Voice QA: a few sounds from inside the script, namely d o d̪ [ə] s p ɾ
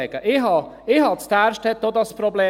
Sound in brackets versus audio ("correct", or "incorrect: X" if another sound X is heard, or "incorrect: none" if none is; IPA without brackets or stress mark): incorrect: ɑ